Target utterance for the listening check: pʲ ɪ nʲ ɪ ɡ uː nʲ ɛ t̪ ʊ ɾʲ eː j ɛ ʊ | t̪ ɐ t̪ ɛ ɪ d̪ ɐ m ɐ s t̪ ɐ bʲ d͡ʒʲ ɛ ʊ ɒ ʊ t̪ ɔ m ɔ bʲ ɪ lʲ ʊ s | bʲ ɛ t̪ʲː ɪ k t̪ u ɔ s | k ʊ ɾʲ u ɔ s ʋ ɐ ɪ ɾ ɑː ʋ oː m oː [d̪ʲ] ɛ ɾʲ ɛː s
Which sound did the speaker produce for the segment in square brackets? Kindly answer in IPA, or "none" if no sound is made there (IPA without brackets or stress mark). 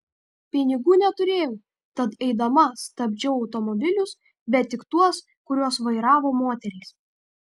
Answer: t̪ʲ